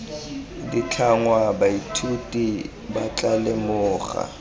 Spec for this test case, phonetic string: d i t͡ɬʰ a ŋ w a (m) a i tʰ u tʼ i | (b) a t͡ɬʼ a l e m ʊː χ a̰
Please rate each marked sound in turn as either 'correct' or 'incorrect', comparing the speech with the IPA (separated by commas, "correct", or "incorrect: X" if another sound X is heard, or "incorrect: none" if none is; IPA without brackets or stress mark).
incorrect: b, correct